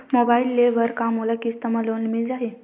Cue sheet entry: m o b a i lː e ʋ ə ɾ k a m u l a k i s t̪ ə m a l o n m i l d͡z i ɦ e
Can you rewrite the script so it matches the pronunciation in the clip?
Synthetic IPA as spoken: m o b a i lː e ʋ ə ɾ k a m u l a k i s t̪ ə m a l o n m i l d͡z a ɦ e